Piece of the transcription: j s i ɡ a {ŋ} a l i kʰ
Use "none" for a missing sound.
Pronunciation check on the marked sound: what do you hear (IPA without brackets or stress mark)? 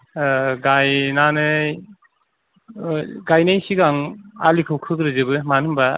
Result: ŋ